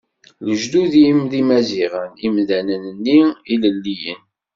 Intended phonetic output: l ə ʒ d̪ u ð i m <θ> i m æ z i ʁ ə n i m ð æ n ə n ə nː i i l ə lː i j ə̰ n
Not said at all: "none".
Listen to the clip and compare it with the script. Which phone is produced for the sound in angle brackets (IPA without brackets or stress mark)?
ð